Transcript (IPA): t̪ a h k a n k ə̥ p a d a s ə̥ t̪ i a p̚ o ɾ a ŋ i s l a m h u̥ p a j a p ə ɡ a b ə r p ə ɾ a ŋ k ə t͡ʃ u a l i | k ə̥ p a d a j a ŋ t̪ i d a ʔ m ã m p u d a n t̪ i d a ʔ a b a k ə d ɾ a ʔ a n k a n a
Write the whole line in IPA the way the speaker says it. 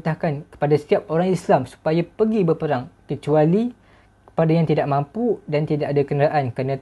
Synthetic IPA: t̪ a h k a n k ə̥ p a d a s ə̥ t̪ i a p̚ o ɾ a ŋ i s l a m s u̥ p a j a p ə ɡ i b ə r p ə ɾ a ŋ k ə t͡ʃ u a l i | k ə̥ p a d a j a ŋ t̪ i d a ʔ m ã m p u d a n t̪ i d a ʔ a d a k ə n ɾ a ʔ a n k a n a